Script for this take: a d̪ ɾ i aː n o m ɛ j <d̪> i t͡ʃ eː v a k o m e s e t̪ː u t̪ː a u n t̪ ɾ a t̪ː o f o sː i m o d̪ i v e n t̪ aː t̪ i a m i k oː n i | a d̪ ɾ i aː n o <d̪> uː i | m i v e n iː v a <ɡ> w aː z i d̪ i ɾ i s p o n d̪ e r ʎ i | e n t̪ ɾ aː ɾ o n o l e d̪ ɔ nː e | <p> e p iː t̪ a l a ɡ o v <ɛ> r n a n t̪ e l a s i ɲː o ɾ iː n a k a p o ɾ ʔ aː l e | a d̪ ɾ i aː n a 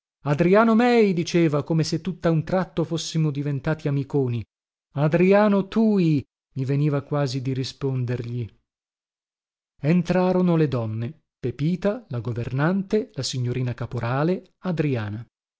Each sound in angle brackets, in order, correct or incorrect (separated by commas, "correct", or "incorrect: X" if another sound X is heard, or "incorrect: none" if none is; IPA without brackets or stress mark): correct, incorrect: t̪, incorrect: k, correct, incorrect: e